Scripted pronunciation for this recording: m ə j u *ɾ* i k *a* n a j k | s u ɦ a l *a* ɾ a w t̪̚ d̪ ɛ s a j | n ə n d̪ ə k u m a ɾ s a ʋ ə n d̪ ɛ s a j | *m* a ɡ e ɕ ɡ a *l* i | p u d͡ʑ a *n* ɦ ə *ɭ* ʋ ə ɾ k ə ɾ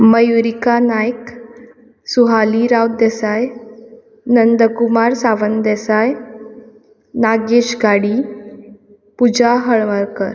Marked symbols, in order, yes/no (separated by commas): yes, yes, no, no, no, no, yes